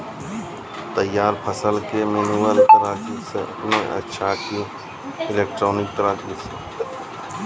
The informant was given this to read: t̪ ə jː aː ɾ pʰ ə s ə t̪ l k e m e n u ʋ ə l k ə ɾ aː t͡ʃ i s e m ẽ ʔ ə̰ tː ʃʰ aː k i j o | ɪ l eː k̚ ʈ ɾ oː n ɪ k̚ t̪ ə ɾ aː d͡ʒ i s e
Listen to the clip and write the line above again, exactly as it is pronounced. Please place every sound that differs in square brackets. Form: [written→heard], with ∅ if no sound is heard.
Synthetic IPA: t̪ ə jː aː ɾ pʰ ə s ə [t̪→∅] l k e m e n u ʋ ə l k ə ɾ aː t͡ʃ i s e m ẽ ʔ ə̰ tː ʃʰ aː k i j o | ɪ l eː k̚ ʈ ɾ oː n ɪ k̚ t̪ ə ɾ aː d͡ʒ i s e